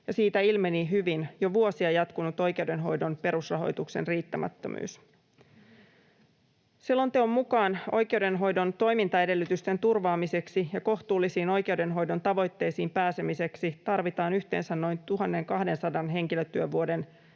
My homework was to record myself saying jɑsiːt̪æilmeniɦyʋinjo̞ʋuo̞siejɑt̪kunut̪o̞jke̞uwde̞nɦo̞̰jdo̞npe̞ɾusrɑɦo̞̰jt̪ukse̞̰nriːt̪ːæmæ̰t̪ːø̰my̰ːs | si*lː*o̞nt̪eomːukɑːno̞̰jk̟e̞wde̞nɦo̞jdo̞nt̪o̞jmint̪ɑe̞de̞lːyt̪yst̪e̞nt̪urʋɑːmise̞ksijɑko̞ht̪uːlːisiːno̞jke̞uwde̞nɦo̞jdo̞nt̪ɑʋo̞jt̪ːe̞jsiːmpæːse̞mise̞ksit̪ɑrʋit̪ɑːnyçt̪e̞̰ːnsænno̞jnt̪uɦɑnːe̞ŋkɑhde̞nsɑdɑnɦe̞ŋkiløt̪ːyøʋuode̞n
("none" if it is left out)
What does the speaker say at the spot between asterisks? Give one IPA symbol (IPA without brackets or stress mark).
lː